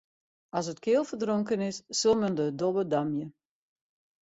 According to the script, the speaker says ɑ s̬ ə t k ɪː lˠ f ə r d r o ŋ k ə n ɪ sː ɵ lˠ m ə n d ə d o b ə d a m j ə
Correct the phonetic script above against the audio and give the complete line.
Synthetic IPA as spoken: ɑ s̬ ə t k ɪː lˠ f ə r d r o ŋ k ə n ɪ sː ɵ lˠ m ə n d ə d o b ə d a m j ə